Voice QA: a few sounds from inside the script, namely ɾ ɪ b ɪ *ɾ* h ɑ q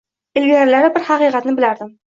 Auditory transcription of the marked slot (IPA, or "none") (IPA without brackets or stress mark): ɾ